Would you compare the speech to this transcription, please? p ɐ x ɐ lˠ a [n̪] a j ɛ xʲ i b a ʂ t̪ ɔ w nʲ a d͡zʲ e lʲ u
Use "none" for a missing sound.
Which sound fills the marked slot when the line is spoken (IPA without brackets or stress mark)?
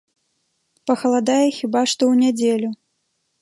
d̪